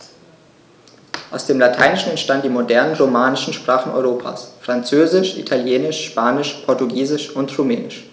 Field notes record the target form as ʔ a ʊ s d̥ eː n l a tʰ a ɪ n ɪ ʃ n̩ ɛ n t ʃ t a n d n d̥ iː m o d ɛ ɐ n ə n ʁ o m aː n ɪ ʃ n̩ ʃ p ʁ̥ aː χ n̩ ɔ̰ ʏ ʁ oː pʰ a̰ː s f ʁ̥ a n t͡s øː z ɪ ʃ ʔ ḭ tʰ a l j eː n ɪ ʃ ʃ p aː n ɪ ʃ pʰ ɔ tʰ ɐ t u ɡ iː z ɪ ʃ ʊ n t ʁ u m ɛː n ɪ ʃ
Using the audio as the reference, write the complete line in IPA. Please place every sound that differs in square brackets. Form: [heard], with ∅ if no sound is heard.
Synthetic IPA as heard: ʔ a ʊ s d̥ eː [m] l a tʰ a ɪ n ɪ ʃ n̩ ɛ n t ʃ t a n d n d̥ iː m o d ɛ ɐ n ə n ʁ o m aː n ɪ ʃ n̩ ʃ p ʁ̥ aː χ n̩ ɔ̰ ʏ ʁ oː pʰ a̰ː s f ʁ̥ a n t͡s øː z ɪ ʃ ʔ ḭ tʰ a l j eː n ɪ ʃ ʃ p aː n ɪ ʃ pʰ ɔ [∅] ɐ t u ɡ iː z ɪ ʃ ʊ n t ʁ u m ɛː n ɪ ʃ